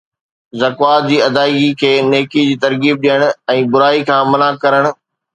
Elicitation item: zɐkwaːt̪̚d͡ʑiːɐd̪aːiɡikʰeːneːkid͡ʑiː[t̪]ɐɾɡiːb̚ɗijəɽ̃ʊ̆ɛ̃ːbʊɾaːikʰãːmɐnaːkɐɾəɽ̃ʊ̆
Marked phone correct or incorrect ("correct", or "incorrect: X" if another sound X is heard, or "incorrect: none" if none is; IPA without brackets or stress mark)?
correct